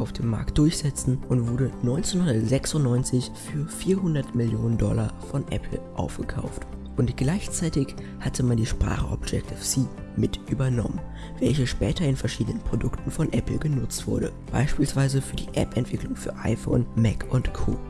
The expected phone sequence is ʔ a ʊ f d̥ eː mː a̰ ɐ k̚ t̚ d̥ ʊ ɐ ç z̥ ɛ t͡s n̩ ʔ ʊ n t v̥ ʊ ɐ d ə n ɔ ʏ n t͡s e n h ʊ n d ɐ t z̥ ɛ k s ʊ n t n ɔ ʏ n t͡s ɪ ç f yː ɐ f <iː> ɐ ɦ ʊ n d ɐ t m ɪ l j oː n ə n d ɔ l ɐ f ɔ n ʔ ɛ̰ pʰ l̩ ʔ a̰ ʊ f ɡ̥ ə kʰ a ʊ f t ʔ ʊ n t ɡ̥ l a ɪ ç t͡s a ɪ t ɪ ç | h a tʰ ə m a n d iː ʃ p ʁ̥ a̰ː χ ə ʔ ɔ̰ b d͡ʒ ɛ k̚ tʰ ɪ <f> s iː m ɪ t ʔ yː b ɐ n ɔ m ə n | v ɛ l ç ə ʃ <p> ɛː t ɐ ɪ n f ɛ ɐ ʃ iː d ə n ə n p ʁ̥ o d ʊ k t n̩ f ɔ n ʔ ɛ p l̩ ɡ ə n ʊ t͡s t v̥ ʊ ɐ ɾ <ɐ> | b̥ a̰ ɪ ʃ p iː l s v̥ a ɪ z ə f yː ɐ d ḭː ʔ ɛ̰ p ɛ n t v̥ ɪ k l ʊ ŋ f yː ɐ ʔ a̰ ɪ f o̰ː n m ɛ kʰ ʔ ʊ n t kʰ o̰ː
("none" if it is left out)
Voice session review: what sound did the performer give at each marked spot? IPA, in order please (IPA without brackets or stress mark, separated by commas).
iː, f, p, ə